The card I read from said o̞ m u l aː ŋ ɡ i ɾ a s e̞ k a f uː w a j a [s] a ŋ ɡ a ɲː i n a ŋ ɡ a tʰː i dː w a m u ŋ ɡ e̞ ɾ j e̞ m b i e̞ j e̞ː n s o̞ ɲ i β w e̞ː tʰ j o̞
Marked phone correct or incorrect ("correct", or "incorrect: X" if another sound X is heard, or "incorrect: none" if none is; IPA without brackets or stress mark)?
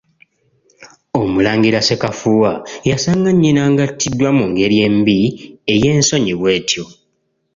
correct